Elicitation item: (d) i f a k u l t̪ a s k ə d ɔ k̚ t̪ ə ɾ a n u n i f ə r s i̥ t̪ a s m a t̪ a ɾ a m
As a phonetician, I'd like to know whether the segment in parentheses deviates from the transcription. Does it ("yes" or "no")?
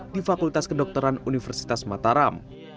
no